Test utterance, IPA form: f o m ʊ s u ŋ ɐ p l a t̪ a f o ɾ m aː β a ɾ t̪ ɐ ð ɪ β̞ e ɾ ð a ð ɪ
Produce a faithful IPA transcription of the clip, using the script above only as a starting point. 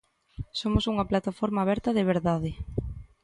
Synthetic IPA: s o m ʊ s u ŋ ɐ p l a t̪ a f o ɾ m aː β ɛ ɾ t̪ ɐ ð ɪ β̞ e ɾ ð a ð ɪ